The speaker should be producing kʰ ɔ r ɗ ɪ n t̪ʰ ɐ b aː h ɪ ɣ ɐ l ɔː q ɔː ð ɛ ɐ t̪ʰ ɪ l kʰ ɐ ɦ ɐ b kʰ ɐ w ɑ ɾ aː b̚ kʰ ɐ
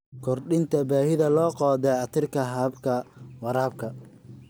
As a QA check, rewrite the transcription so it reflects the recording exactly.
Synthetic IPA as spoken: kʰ ɔ r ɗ ɪ n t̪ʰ ɐ b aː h ɪ ð ɐ l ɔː q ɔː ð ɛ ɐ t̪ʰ ɪ r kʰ ɐ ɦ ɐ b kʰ ɐ w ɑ ɾ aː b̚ kʰ ɐ